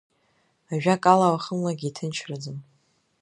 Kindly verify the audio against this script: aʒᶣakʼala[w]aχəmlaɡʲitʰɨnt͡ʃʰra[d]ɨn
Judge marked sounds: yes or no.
yes, no

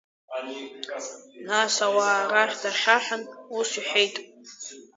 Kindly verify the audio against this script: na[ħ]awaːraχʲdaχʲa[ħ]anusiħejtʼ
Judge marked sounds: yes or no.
no, yes

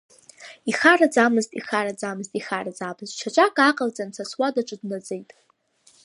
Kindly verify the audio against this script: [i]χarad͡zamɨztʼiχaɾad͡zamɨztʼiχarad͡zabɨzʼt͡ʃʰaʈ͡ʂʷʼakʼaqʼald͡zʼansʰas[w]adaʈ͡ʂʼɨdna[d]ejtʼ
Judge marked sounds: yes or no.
yes, yes, no

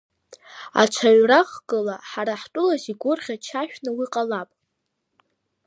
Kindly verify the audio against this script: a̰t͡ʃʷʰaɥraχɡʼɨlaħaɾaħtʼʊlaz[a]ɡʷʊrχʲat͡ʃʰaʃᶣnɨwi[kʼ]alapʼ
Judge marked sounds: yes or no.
no, no

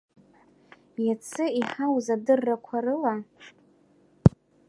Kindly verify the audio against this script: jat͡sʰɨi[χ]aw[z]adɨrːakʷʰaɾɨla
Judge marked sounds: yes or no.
no, yes

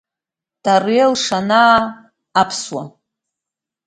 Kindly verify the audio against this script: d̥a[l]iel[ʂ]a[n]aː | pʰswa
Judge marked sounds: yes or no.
no, yes, yes

